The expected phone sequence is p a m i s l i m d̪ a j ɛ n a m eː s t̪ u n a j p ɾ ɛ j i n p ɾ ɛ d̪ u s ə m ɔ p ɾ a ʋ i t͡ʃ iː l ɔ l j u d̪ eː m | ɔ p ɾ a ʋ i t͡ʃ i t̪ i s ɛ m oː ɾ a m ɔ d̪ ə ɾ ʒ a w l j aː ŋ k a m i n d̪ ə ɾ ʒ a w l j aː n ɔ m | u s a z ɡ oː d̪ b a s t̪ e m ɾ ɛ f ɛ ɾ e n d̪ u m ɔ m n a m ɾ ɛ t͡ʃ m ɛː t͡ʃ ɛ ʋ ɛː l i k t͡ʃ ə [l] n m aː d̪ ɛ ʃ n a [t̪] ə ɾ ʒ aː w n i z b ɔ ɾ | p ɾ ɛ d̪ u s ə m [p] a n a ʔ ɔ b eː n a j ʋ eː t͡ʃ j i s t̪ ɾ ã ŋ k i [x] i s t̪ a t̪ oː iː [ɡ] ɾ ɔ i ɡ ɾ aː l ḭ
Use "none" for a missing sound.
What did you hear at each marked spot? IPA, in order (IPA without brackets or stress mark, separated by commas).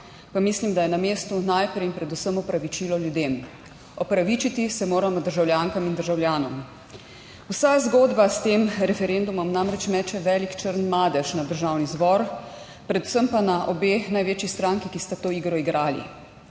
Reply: ɾ, d̪, p, k, ɡ